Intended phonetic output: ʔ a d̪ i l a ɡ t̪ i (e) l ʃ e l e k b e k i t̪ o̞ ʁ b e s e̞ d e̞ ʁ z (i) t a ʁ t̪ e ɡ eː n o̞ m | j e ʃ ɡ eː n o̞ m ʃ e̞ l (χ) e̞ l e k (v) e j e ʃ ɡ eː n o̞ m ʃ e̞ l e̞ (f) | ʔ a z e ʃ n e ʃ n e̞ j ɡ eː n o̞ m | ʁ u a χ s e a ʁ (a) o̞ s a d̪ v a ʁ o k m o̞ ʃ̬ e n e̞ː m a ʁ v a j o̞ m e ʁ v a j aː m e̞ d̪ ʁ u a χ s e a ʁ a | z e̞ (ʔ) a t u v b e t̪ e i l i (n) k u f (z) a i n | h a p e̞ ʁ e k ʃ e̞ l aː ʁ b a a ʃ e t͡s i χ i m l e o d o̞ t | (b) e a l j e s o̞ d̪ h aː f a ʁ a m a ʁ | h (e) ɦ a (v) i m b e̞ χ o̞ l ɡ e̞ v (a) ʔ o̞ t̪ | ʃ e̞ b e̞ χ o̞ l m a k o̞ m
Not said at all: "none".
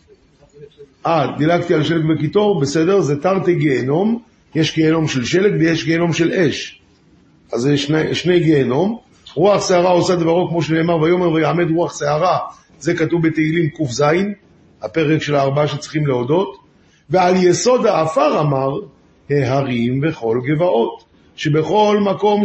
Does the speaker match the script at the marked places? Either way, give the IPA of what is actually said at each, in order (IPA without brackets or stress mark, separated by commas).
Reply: a, e, ʃ, v, ʃ, a, k, m, z, v, e, ʁ, a